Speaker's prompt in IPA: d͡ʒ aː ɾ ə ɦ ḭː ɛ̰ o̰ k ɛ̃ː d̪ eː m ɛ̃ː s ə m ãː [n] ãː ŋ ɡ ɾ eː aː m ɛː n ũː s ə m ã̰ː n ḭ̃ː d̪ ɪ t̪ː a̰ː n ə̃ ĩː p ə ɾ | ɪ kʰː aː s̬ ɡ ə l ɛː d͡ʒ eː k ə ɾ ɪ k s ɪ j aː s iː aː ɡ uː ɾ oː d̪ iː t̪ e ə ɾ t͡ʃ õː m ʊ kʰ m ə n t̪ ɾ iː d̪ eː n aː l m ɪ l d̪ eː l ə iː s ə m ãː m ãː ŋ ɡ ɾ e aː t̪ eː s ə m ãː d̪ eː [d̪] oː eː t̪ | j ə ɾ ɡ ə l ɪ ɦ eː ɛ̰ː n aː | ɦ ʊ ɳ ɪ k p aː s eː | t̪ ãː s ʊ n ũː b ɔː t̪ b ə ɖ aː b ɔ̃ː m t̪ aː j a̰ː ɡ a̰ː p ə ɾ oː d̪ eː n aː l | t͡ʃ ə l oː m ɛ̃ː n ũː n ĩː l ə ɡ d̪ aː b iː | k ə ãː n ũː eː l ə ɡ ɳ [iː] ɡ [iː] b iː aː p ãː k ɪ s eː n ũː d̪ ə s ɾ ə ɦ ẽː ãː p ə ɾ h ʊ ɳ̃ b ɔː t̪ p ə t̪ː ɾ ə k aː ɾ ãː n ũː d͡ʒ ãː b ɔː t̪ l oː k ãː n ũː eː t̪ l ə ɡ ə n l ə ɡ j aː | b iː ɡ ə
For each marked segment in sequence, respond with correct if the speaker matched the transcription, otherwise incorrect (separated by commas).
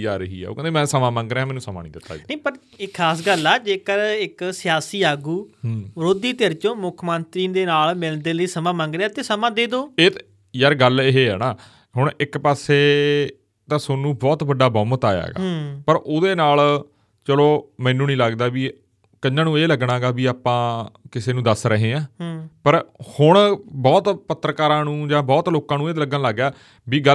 incorrect, correct, incorrect, incorrect